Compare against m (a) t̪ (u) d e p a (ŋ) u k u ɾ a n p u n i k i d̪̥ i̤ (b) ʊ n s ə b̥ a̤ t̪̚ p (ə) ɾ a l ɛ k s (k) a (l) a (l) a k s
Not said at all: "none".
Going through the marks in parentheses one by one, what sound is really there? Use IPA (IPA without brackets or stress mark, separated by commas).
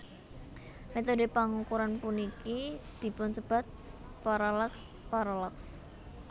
e, o, ŋ, p, a, p, ɾ, l